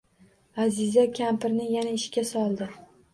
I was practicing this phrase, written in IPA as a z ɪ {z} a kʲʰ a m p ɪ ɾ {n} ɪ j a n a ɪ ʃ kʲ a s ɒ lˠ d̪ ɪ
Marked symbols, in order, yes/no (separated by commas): yes, yes